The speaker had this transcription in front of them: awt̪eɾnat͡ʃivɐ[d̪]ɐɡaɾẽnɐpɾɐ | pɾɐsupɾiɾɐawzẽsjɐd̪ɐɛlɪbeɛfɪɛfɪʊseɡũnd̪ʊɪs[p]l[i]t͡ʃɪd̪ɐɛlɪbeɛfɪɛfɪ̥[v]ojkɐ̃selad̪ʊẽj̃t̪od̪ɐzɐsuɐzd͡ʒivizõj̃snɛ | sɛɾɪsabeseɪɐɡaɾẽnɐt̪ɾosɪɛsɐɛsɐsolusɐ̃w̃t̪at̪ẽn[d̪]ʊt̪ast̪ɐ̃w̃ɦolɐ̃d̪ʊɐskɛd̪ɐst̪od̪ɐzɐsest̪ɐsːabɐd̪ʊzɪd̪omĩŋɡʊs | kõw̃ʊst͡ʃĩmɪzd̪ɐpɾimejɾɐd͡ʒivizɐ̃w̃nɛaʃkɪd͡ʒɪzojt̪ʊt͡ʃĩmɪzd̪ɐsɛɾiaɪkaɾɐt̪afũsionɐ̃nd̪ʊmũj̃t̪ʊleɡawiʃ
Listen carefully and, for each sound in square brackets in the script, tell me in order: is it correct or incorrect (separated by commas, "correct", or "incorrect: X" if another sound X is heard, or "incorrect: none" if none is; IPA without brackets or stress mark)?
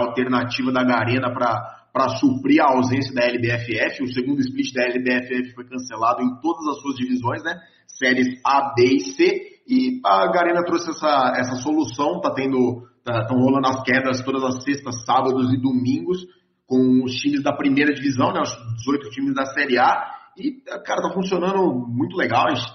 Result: correct, correct, correct, incorrect: f, correct